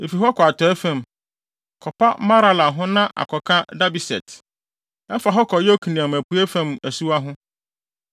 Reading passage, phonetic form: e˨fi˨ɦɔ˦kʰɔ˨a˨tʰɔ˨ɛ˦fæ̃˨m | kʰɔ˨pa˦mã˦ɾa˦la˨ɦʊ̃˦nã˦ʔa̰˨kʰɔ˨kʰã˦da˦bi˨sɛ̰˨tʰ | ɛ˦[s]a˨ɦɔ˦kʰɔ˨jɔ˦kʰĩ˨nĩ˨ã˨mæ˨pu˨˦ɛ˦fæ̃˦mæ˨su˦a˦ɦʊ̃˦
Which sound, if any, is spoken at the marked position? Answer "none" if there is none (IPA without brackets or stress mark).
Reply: f